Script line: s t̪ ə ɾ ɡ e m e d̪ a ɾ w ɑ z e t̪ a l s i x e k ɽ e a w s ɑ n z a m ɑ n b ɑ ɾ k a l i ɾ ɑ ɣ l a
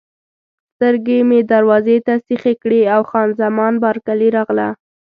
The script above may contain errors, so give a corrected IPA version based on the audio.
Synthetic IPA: s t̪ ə ɾ ɡ e m e d̪ a ɾ w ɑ z e t̪ a s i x e k ɽ e a w x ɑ n z a m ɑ n b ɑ ɾ k a l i ɾ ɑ ɣ l a